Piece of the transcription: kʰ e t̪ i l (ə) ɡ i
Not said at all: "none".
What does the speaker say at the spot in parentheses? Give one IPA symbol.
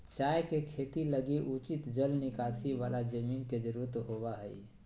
ə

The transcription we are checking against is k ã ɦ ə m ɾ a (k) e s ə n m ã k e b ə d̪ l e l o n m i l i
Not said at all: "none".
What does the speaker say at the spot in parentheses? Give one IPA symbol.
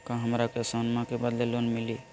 k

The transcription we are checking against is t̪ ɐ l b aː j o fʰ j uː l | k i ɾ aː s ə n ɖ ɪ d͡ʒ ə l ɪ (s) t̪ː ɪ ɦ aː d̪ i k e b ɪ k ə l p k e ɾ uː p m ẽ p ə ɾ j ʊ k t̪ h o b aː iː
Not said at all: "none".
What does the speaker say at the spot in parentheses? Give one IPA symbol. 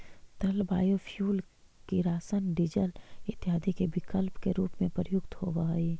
none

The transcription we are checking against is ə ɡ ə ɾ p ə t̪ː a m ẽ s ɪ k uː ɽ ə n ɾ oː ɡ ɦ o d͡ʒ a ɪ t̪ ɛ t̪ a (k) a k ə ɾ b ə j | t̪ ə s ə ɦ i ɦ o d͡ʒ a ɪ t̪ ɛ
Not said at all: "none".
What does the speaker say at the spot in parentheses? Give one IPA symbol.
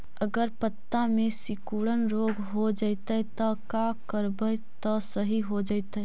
k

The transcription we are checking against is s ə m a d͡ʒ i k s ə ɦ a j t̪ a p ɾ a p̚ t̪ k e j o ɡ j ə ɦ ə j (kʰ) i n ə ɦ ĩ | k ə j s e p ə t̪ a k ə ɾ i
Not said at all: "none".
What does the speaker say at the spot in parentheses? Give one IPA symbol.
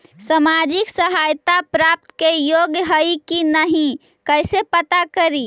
k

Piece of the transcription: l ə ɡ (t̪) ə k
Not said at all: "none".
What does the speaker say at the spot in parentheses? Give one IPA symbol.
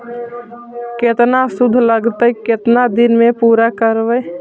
t̪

